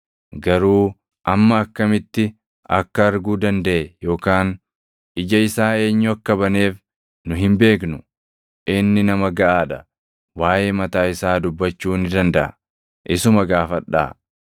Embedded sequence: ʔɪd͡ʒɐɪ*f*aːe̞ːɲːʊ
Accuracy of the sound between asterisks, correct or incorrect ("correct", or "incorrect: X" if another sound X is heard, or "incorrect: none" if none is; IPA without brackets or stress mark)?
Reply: incorrect: s